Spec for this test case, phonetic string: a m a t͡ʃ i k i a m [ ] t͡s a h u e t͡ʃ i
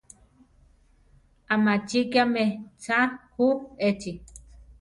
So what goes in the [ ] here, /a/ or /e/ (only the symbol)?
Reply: e